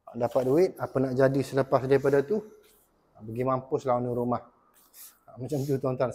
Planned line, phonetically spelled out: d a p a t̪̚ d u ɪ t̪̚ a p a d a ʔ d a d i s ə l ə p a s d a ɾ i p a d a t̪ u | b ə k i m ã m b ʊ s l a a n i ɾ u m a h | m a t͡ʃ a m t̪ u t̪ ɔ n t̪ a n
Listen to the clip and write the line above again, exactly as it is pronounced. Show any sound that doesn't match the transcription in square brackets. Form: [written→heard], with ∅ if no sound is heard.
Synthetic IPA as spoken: d a p a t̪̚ d u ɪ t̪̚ a p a [d→n] a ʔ [d→d͡ʒ] a d i s ə l ə p a s d a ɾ i p a d a t̪ u | b ə [k→ɡ] i m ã m [b→p] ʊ s l a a n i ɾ u m a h | m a t͡ʃ a m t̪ u t̪ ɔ n t̪ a n